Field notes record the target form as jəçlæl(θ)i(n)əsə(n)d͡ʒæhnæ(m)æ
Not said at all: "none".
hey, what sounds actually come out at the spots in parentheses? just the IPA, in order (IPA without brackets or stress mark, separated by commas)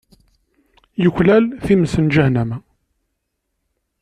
θ, m, n, m